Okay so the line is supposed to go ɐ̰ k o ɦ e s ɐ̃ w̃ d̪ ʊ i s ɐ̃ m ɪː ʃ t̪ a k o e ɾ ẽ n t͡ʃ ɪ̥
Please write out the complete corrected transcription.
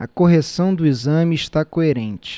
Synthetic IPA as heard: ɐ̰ k o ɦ e s ɐ̃ w̃ d̪ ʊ i z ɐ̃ m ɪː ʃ t̪ a k o e ɾ ẽ n t͡ʃ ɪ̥